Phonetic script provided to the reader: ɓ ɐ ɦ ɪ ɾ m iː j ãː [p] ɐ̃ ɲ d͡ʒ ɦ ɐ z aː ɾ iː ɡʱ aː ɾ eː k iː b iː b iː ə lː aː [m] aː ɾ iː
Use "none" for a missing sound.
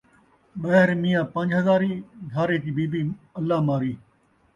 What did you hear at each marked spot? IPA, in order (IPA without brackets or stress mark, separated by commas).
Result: p, m